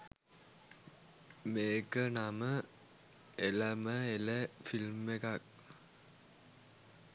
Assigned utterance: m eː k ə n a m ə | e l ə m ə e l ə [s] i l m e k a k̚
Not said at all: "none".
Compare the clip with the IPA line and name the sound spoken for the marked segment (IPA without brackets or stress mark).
f